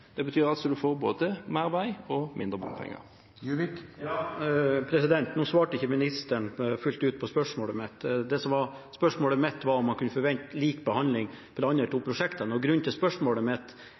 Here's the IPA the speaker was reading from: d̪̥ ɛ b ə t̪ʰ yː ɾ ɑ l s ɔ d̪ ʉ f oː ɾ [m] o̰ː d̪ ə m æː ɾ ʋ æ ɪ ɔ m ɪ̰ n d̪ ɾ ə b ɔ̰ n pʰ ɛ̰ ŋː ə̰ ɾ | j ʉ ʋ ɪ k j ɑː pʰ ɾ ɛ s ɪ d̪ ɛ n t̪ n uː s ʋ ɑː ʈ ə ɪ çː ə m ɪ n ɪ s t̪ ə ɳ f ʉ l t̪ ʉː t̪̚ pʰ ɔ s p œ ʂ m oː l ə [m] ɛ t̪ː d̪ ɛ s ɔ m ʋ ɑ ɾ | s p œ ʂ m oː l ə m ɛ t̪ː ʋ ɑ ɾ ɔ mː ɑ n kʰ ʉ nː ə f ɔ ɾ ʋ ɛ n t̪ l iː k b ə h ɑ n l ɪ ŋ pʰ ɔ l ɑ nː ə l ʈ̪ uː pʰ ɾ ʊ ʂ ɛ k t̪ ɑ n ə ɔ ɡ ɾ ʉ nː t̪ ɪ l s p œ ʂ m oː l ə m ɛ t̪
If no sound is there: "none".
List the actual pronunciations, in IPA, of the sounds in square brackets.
b, m

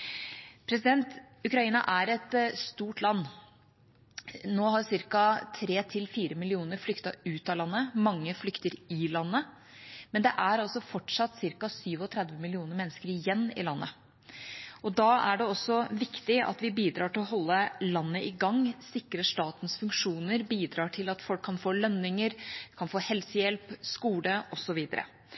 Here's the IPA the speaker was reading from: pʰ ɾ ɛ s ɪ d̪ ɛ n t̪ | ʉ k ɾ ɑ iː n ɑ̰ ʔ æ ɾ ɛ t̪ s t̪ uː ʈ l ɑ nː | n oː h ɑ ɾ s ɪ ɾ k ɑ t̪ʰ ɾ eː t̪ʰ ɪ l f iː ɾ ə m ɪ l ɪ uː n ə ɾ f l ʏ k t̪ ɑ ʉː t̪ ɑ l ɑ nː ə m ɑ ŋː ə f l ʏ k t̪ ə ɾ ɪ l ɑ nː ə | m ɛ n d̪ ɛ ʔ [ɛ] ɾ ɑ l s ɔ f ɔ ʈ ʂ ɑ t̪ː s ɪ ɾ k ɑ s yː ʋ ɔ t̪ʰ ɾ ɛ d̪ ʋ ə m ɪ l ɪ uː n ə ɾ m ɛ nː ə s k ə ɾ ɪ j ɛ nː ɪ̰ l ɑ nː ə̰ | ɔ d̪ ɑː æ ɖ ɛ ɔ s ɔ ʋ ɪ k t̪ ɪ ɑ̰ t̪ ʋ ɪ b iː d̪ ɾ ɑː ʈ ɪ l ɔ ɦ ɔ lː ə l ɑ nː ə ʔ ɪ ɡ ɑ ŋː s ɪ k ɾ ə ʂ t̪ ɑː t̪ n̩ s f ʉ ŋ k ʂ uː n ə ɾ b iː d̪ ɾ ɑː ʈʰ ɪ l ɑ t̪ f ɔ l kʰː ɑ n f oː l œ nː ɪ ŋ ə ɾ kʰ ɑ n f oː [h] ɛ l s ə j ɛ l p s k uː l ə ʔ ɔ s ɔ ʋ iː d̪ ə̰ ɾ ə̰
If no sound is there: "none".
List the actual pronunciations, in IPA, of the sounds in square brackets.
æ, h

